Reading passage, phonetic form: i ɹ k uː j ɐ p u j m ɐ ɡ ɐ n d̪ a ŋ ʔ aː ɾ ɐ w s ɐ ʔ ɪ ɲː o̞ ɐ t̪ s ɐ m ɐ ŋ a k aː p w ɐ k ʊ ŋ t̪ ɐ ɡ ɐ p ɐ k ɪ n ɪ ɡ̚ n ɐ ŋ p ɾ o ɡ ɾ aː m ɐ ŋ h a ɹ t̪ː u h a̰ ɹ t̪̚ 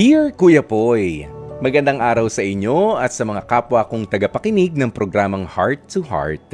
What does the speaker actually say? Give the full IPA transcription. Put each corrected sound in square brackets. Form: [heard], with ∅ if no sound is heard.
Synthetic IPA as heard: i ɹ k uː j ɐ p [o] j m ɐ ɡ ɐ n d̪ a ŋ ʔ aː ɾ ɐ w s ɐ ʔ ɪ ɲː o̞ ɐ t̪ s ɐ m ɐ ŋ a k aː p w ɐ k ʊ ŋ t̪ ɐ ɡ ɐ p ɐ k ɪ n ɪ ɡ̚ n ɐ ŋ p ɾ o ɡ ɾ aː m ɐ ŋ h a ɹ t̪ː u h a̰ ɹ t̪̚